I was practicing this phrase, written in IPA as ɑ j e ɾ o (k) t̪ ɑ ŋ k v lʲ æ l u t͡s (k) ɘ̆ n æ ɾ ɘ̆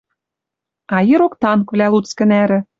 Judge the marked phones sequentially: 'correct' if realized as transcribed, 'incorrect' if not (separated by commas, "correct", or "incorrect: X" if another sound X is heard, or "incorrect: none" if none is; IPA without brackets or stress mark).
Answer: correct, correct